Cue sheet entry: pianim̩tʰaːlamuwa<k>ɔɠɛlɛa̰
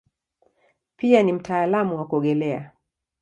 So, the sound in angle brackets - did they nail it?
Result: yes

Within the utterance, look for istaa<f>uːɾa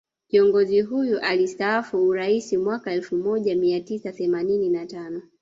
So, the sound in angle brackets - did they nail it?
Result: yes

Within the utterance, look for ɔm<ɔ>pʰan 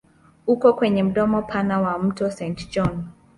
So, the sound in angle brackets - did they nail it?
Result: yes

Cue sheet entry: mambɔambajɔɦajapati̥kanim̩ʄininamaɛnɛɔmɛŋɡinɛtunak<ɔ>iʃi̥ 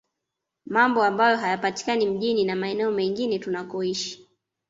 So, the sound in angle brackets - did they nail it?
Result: yes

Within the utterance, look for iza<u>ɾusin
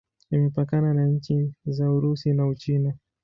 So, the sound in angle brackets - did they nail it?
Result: yes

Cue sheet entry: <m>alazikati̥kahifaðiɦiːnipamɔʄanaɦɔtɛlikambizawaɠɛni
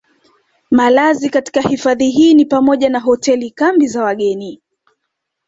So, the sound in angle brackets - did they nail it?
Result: yes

